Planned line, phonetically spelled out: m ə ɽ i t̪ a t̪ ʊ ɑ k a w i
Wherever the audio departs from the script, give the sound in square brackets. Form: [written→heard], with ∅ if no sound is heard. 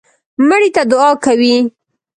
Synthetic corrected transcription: m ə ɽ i t̪ a [t̪→d̪] ʊ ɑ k a w i